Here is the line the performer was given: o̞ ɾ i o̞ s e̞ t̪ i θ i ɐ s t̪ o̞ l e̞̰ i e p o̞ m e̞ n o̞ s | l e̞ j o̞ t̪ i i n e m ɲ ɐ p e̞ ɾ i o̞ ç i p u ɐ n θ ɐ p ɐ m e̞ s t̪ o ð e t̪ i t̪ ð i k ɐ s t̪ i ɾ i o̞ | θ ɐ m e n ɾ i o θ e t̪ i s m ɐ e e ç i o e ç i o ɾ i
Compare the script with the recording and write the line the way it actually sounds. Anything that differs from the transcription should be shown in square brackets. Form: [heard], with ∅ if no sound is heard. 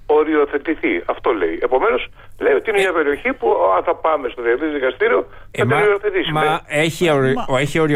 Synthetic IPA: o̞ ɾ i o̞ [θ] e̞ t̪ i θ i ɐ [f] t̪ o̞ l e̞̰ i e p o̞ m e̞ n o̞ s | l e̞ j o̞ t̪ i i n e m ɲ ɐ p e̞ ɾ i o̞ ç i p u ɐ n θ ɐ p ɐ m e̞ s t̪ o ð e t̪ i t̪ ð i k ɐ s t̪ i ɾ i o̞ | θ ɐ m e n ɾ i o θ e t̪ i s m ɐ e e ç i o e ç i o ɾ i